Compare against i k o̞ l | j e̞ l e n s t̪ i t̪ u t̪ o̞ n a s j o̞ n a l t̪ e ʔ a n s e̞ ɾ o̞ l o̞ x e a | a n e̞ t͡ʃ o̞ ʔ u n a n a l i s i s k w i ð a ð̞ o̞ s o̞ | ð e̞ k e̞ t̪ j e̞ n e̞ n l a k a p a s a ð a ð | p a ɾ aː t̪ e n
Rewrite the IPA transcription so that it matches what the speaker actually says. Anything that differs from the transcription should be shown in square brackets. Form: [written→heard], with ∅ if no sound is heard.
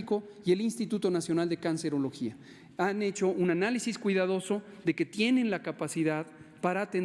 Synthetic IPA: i k o̞ [l→∅] | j e̞ l [e→i] n s t̪ i t̪ u t̪ o̞ n a s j o̞ n a l [t̪→d̪] e [ʔ→k] a n s e̞ ɾ o̞ l o̞ x [e→i] a | a n e̞ t͡ʃ o̞ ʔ u n a n a l i s i s k w i ð a ð̞ o̞ s o̞ | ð e̞ k e̞ t̪ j e̞ n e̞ n l a k a p a s [a→i] ð a ð | p a ɾ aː t̪ e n

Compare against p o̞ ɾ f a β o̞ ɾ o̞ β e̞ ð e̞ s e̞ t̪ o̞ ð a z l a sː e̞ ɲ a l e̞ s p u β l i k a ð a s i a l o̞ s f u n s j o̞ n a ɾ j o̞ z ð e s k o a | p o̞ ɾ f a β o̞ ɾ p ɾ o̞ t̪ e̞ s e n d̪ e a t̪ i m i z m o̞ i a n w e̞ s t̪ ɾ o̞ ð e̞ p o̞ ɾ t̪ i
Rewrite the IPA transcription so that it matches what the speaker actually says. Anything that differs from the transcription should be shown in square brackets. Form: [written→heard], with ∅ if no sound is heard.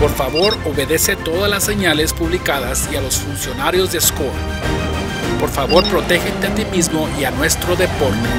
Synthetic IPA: p o̞ ɾ f a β o̞ ɾ o̞ β e̞ ð e̞ s e̞ t̪ o̞ ð a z l a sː e̞ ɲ a l e̞ s p u β l i k a ð a s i a l o̞ s f u n s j o̞ n a ɾ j o̞ z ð e s k o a | p o̞ ɾ f a β o̞ ɾ p ɾ o̞ t̪ e̞ [s→x] e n [d̪→t̪] e a t̪ i m i z m o̞ i a n w e̞ s t̪ ɾ o̞ ð e̞ p o̞ ɾ t̪ [i→e]

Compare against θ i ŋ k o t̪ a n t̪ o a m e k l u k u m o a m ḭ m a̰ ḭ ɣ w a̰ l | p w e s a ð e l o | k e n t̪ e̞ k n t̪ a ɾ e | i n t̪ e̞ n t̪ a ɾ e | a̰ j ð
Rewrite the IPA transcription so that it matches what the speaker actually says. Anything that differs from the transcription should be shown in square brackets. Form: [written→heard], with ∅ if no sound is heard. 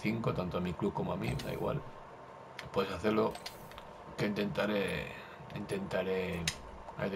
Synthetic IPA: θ i ŋ k o t̪ a n t̪ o a m [e→i] k l u k [u→o] m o a m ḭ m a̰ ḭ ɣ w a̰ l | p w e s a [ð→θ] e l o | k e n t̪ e̞ [k→∅] n t̪ a ɾ e | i n t̪ e̞ n t̪ a ɾ e | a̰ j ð

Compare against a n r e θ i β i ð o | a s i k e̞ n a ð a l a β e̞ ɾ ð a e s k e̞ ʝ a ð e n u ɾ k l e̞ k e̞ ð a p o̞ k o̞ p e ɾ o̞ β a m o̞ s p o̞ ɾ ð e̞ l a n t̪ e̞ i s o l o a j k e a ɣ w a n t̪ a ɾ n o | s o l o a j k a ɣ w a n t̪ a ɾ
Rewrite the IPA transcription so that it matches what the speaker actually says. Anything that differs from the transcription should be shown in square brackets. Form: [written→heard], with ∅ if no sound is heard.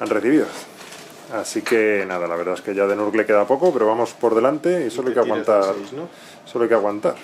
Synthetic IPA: a n r e θ i β i ð o | a s i k e̞ n a ð a l a β e̞ ɾ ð a e s k e̞ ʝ a ð e n u ɾ k l e̞ k e̞ ð a p o̞ k o̞ p e ɾ o̞ β a m o̞ s p o̞ ɾ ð e̞ l a n t̪ e̞ i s o l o a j k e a ɣ w a n t̪ a ɾ n o | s o l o a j k a ɣ w a n t̪ a ɾ

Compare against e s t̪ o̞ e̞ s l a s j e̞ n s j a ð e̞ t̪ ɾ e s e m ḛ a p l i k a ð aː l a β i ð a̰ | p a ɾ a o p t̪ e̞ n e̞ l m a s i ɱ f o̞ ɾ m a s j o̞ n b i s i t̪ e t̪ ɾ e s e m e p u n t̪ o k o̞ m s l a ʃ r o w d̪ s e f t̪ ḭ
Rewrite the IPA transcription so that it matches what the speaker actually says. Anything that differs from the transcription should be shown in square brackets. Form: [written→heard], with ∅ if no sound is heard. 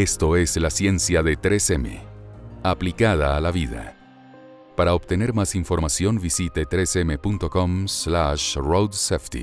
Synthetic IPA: e s t̪ o̞ e̞ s l a s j e̞ n s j a ð e̞ t̪ ɾ e s e m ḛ a p l i k a ð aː l a β i ð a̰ | p a ɾ a o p t̪ e̞ n e̞ [l→ɾ] m a s i ɱ f o̞ ɾ m a s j o̞ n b i s i t̪ e t̪ ɾ e s e m e p u n t̪ o k o̞ m s l a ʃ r o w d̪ s e f t̪ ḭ

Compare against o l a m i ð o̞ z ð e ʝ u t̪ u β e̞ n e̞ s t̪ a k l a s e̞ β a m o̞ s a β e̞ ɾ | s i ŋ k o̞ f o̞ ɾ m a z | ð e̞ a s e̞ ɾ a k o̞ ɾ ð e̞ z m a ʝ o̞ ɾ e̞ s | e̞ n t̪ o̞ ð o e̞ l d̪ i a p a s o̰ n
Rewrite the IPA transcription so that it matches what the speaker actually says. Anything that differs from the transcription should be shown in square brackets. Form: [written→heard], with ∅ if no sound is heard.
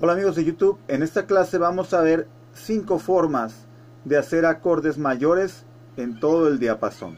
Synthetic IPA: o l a m i [ð→ɣ] o̞ z ð e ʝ u t̪ u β e̞ n e̞ s t̪ a k l a s e̞ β a m o̞ s a β e̞ ɾ | s i ŋ k o̞ f o̞ ɾ m a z | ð e̞ a s e̞ ɾ a k o̞ ɾ ð e̞ z m a ʝ o̞ ɾ e̞ s | e̞ n t̪ o̞ ð o e̞ l d̪ i a p a s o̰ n

